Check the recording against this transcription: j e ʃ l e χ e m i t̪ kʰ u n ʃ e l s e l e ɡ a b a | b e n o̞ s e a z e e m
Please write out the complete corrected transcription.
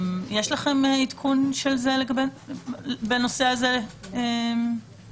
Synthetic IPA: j e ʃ l a χ e m i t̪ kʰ u n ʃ e l z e l e ɡ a b e | b e n o̞ s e a z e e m